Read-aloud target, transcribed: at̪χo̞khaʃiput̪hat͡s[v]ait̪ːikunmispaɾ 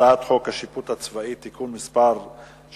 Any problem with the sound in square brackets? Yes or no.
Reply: no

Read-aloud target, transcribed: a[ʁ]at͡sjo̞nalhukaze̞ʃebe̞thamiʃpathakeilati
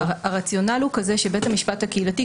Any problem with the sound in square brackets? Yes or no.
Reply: no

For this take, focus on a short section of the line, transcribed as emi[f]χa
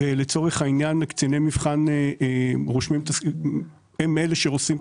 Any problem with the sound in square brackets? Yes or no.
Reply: yes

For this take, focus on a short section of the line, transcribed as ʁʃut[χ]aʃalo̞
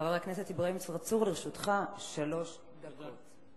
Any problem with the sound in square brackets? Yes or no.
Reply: no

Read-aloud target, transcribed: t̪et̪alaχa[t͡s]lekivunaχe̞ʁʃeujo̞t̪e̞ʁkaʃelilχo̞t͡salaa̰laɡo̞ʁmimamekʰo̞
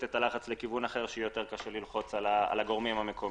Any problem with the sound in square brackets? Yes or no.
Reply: no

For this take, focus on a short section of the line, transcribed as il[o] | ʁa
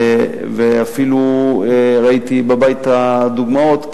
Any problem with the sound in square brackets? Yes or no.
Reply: yes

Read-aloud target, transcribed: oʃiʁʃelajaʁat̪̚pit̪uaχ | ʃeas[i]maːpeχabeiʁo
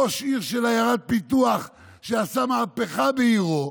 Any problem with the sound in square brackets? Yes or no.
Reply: yes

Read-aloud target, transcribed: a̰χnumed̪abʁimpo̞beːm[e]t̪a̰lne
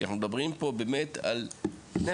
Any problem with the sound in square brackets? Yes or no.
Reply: no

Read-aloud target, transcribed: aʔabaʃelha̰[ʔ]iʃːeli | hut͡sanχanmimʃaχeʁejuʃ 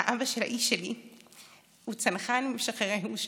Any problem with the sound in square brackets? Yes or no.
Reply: no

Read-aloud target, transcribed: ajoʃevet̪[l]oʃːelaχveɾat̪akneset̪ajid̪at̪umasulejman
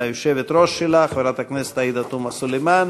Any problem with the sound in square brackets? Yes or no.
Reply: yes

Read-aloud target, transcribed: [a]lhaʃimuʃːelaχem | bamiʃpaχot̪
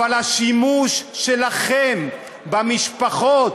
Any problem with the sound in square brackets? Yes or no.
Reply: no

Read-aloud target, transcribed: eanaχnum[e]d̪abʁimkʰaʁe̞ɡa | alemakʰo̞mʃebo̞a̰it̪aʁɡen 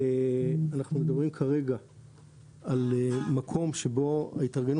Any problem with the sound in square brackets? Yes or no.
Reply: no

